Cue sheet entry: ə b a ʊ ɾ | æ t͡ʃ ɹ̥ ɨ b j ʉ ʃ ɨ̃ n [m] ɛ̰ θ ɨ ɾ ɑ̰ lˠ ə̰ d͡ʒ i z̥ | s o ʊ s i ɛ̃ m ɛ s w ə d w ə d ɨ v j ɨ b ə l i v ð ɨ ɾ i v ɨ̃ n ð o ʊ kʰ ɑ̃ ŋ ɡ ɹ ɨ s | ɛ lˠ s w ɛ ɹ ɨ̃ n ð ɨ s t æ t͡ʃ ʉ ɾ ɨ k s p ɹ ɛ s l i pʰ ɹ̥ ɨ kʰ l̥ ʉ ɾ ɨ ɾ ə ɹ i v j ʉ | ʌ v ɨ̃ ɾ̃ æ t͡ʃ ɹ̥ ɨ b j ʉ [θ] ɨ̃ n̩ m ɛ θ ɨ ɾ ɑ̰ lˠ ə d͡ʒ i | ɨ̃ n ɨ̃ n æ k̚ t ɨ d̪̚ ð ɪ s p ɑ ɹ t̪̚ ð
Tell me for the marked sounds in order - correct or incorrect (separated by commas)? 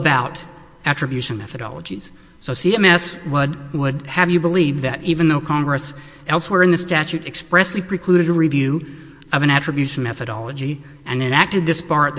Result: correct, incorrect